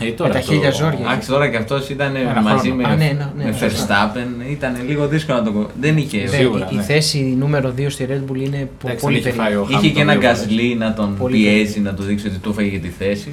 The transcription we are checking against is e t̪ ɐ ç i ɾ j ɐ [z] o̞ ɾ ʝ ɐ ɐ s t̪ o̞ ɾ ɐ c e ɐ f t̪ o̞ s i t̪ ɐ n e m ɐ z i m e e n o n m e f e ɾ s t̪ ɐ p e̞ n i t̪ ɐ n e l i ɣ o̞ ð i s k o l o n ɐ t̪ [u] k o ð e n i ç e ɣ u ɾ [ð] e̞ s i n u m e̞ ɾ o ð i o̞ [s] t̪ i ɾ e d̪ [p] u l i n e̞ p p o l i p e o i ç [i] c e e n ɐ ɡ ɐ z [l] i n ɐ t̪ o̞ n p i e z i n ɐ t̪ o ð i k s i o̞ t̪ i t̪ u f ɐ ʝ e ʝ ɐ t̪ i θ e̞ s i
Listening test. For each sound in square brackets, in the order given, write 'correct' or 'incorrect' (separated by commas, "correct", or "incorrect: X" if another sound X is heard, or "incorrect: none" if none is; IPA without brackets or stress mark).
correct, incorrect: o, incorrect: θ, correct, incorrect: b, incorrect: e, correct